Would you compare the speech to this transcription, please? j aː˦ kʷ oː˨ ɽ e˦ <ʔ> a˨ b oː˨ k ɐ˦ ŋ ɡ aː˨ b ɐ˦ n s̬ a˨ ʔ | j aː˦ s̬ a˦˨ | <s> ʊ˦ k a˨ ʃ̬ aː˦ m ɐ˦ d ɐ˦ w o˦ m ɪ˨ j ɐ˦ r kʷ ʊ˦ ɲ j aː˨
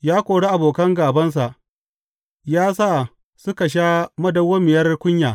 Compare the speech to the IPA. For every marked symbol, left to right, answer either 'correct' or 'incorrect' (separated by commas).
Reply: correct, correct